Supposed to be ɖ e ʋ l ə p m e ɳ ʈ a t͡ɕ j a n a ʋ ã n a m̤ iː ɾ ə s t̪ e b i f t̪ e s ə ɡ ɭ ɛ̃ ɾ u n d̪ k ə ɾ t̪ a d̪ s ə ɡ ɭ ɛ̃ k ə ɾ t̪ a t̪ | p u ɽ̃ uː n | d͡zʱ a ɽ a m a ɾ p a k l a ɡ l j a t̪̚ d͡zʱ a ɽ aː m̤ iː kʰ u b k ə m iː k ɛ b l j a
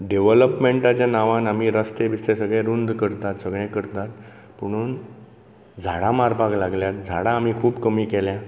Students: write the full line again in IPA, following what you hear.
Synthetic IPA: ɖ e ʋ l ə p m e ɳ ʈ a t͡ɕ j a n a ʋ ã n a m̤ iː ɾ ə s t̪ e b i s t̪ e s ə ɡ ɭ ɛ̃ ɾ u n d̪ k ə ɾ t̪ a t̪ s ə ɡ ɭ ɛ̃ k ə ɾ t̪ a t̪ | p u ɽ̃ uː n | d͡zʱ a ɽ a m a ɾ p a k l a ɡ l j a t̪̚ d͡zʱ a ɽ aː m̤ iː kʰ uː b k ə m iː k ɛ l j a